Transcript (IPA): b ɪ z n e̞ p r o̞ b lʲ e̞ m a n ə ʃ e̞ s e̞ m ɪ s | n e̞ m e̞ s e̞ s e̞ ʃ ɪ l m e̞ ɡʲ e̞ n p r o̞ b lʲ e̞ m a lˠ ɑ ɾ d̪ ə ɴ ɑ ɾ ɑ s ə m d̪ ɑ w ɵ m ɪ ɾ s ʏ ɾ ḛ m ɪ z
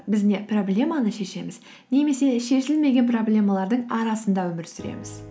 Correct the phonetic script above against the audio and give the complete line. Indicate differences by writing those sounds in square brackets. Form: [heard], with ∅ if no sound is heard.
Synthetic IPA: b ɪ z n e̞ p r o̞ b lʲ e̞ m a n ə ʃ e̞ [ʃ] e̞ m ɪ [z] | n e̞ m e̞ s e̞ [ʃ] e̞ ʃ ɪ l m e̞ ɡʲ e̞ n p r o̞ b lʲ e̞ m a lˠ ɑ ɾ d̪ ə ɴ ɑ ɾ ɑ s ə [n] d̪ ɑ w ɵ m ɪ ɾ s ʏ ɾ ḛ m ɪ z